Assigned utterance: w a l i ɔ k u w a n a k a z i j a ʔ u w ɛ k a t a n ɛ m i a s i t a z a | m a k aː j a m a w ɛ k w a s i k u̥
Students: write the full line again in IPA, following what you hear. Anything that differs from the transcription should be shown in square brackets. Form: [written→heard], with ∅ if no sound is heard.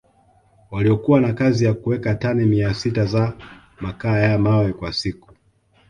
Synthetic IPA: w a l i ɔ k u w a n a k a z i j a [ʔ→k] u w ɛ k a t a n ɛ m i a s i t a z a | m a k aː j a m a w ɛ k w a s i k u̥

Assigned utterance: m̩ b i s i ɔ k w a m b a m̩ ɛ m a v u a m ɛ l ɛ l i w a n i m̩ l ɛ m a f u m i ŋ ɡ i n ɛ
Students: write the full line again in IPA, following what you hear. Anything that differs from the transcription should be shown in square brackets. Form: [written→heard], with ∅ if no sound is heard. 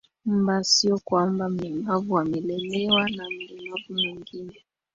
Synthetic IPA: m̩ b [i→a] s i ɔ k w a m b a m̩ ɛ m a v u a m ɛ l ɛ l [i→ɛ] w a n [i→a] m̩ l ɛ m a [f→v] u m i ŋ ɡ i n ɛ

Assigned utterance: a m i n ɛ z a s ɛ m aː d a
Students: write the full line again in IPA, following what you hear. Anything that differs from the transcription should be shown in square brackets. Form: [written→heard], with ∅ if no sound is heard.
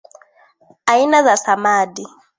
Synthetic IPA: a [m→∅] i n [ɛ→a] z a s [ɛ→a] m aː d [a→i]

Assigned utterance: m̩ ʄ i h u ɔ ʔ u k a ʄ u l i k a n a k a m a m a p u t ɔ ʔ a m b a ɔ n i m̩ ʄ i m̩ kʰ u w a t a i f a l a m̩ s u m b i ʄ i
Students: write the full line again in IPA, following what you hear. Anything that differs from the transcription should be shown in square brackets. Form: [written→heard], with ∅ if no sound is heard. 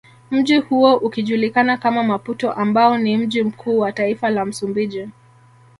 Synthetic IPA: m̩ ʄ i h u ɔ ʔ u k [a→i] ʄ u l i k a n a k a m a m a p u t ɔ ʔ a m b a ɔ n i m̩ ʄ i m̩ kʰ [u→uː] w a t a i f a l a m̩ s u m b i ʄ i

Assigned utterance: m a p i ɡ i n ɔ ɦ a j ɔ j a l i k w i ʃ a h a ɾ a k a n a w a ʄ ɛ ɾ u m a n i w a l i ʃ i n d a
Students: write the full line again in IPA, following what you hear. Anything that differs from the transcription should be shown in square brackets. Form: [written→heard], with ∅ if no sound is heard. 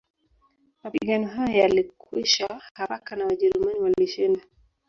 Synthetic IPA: m a p i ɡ [i→a] n ɔ ɦ a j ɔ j a l i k w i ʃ a h a ɾ a k a n a w a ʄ ɛ ɾ u m a n i w a l i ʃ i n d a

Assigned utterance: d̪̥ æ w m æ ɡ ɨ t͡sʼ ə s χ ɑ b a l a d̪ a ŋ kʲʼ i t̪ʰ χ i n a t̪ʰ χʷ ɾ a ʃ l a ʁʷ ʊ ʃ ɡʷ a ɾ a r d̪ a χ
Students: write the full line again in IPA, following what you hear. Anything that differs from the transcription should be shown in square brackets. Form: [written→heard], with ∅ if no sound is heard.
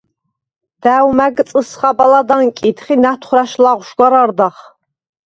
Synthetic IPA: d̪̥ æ w m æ ɡ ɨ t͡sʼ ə s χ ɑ b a l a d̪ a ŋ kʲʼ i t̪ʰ χ i n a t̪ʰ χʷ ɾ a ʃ l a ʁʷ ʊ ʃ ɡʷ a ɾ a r d̪ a χ

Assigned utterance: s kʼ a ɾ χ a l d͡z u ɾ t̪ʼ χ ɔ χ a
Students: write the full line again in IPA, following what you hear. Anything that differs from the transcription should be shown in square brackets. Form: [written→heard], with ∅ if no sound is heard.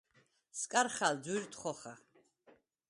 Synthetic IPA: s kʼ a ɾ χ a l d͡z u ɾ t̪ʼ χ ɔ χ a

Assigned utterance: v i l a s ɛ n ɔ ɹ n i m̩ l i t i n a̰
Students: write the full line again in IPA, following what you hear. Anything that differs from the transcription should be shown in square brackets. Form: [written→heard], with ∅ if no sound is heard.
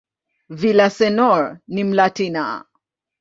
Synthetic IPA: v i l a s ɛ n ɔ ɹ n i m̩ l [i→a] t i n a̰

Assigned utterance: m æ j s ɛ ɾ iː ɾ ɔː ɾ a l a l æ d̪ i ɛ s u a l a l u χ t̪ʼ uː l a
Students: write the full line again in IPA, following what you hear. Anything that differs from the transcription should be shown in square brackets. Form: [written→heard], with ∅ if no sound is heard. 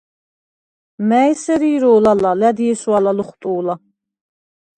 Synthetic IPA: m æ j s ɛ ɾ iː ɾ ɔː [ɾ→l] a l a l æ d̪ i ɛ s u a l a l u χ t̪ʼ uː l a

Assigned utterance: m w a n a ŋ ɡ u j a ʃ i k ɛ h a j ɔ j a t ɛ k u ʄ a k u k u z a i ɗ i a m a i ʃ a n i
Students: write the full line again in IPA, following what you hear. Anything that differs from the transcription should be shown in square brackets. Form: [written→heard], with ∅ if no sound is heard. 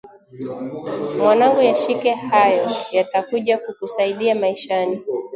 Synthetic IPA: m w a n a ŋ ɡ u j a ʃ i k ɛ h a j ɔ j a t [ɛ→a] k u ʄ a k u k u [z→s] a i ɗ i a m a i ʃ a n i

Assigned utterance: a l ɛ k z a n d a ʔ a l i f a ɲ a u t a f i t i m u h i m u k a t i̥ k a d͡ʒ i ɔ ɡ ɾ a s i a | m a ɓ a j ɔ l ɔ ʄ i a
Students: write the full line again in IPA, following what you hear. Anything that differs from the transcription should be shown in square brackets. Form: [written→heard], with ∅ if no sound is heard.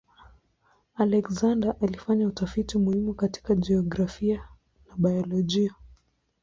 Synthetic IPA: a l ɛ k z a n d a ʔ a l i f a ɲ a u t a f i t i m u h i m u k a t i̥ k a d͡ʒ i ɔ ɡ ɾ a [s→f] i a | [m→n] a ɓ a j ɔ l ɔ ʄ i a

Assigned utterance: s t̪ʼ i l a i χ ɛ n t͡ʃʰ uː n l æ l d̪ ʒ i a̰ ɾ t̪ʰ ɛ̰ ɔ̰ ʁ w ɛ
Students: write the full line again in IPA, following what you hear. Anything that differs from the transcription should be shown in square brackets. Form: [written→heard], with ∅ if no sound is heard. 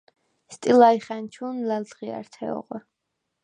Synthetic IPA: s t̪ʼ i l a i χ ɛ n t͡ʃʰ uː n l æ l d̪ [ʒ→ʁ] i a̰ ɾ t̪ʰ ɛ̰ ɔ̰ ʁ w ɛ

